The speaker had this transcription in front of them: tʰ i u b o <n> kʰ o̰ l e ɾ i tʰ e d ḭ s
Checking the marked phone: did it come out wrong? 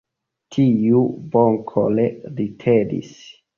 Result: yes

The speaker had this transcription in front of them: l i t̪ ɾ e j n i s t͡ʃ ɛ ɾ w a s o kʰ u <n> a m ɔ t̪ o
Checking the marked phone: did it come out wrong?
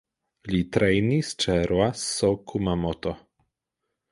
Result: yes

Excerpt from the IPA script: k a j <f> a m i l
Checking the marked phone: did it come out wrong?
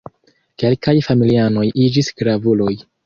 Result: no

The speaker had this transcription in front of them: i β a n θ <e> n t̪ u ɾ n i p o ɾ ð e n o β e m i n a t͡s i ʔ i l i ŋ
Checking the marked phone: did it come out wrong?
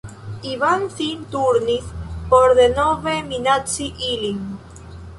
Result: yes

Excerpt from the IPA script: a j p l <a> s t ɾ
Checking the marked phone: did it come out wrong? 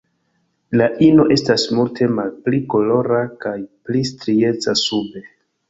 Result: yes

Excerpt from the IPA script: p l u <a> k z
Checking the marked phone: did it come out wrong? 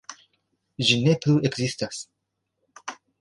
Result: yes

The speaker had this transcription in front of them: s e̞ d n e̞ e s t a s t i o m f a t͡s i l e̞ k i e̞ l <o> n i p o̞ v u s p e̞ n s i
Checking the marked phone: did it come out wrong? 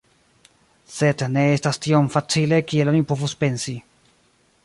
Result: no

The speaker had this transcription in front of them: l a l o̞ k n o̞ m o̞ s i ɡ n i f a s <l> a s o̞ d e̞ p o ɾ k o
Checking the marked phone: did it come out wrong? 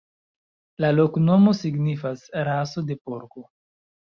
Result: yes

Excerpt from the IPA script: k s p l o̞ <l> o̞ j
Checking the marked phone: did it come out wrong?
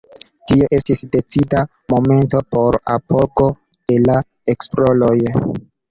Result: no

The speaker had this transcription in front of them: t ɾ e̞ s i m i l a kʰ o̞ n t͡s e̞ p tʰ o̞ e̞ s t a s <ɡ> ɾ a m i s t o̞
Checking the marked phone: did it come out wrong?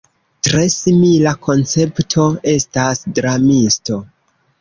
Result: yes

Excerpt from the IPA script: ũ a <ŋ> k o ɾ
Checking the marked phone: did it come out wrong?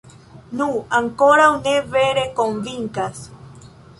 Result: no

